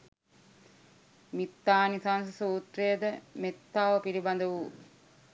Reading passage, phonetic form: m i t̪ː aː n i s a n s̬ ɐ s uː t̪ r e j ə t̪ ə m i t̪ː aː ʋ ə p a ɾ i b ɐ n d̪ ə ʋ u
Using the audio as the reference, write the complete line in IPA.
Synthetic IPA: m i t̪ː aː n i s a n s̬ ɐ s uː t̪ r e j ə d̪ ə m e t̪ː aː ʋ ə p i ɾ i b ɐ n d̪ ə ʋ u